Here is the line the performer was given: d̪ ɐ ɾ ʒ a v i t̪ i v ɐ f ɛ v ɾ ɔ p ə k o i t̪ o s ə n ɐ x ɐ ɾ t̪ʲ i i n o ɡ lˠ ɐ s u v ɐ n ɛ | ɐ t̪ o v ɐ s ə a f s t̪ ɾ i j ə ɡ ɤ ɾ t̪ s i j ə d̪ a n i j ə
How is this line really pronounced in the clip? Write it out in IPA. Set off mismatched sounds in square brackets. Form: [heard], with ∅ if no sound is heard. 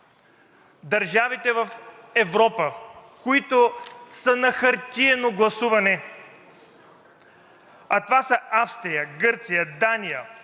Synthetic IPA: d̪ ɐ ɾ ʒ a v i t̪ [ɛ] v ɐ f ɛ v ɾ ɔ p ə k o i t̪ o s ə n ɐ x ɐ ɾ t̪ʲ i [ɛ] n o ɡ lˠ ɐ s u v ɐ n ɛ | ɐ t̪ o v [a] s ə a f s t̪ ɾ i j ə ɡ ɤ ɾ t̪ s i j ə d̪ a n i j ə